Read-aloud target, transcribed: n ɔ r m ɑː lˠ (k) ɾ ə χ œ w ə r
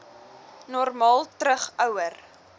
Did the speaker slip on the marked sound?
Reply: yes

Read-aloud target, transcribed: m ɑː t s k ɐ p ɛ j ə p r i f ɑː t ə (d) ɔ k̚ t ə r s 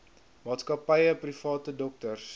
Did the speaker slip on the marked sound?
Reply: no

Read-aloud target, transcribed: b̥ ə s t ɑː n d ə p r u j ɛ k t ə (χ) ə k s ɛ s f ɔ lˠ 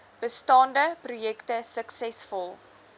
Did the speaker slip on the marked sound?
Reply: yes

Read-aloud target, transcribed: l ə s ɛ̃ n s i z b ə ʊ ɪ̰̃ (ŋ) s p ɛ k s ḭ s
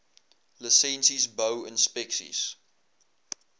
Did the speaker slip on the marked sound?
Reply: yes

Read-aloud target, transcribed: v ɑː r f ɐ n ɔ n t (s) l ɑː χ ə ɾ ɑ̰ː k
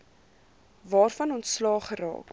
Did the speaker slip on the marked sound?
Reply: no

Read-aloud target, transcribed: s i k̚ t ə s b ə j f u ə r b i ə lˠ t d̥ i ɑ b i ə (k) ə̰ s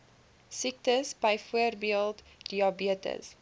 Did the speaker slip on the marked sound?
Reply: yes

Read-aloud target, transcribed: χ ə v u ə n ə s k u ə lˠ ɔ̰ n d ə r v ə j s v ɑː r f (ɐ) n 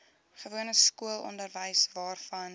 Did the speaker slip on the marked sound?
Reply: no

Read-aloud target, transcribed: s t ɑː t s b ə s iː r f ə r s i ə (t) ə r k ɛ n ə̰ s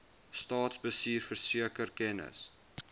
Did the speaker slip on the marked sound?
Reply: yes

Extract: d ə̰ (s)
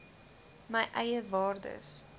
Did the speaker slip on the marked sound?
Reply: no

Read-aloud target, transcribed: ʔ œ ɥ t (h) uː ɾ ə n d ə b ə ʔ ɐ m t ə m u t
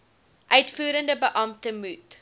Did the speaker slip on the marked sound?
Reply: yes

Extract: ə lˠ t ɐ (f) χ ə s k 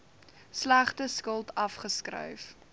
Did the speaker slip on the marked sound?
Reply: no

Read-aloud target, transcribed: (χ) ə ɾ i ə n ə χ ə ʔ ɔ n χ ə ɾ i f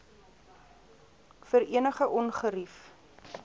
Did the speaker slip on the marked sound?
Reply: yes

